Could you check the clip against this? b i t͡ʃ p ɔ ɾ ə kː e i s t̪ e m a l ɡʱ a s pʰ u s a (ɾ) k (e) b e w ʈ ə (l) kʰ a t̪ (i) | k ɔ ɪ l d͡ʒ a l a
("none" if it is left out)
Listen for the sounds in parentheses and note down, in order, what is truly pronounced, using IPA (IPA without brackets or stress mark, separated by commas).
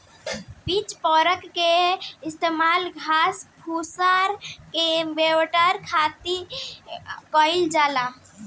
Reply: ɾ, e, ɾ, i